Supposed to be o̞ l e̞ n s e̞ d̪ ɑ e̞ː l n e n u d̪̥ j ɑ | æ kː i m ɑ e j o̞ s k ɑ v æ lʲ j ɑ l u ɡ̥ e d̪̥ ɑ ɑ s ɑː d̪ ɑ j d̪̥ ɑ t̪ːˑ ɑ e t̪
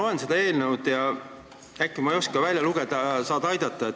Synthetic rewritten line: o̞ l e̞ n s e̞ d̪ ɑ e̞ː l n e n u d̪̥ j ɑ | æ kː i m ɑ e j o̞ s k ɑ v æ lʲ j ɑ l u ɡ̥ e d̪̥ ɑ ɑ s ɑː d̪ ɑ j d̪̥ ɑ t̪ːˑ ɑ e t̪